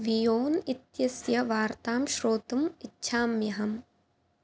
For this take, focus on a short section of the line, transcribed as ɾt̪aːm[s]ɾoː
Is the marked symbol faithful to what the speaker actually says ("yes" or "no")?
no